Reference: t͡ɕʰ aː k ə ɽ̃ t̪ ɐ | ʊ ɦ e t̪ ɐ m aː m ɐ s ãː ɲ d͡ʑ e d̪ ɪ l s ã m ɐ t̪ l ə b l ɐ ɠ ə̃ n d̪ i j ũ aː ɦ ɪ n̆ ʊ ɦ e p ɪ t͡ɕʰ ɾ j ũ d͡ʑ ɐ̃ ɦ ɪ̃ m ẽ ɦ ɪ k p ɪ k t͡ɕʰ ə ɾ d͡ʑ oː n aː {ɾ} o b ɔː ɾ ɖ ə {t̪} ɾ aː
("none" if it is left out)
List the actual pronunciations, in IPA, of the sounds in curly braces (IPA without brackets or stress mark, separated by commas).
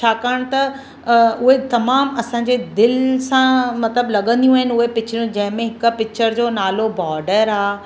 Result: l, none